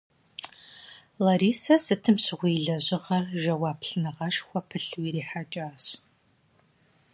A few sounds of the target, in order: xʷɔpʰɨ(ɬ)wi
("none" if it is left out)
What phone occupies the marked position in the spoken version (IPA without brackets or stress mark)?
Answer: ɬ